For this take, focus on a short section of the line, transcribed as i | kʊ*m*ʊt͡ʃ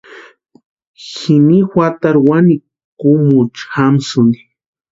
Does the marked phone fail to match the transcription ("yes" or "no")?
no